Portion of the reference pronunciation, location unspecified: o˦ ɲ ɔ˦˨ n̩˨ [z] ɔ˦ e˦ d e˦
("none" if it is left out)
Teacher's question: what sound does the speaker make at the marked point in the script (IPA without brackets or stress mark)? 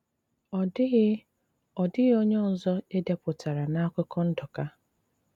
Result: z